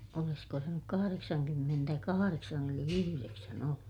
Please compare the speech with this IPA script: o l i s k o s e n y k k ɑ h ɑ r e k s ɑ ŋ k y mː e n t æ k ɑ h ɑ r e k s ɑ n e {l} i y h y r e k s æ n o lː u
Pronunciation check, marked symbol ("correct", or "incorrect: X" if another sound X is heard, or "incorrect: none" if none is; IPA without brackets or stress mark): correct